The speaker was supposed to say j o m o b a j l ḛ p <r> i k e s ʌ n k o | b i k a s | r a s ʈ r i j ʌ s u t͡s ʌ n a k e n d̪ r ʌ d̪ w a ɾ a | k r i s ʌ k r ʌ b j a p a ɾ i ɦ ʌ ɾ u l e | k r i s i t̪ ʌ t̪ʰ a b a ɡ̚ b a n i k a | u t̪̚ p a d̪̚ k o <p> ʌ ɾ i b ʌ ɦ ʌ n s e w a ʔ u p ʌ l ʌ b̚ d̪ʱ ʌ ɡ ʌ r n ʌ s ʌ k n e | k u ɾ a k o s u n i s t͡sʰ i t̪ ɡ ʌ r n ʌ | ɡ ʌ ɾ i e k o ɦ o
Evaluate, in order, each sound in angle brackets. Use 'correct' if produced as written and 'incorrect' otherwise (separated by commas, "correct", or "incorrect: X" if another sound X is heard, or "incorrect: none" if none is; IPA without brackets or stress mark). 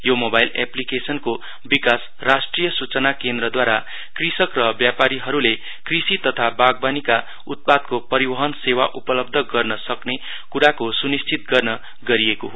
incorrect: l, correct